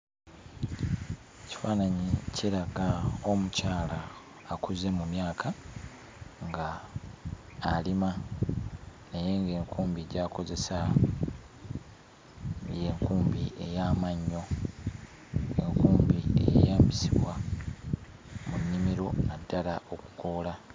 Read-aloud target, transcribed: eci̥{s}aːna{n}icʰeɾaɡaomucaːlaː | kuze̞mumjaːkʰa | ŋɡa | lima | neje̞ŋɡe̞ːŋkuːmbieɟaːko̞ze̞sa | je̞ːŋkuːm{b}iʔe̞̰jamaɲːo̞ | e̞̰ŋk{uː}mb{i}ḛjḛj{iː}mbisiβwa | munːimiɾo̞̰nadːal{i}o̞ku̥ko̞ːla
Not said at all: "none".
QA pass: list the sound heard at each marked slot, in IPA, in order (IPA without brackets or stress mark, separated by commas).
f, ɲ, b, uː, i, aː, a